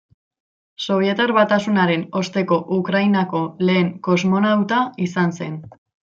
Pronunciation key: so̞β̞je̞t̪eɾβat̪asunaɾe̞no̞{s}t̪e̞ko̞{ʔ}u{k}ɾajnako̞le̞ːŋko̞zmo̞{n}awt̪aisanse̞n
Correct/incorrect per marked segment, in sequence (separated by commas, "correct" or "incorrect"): correct, correct, correct, correct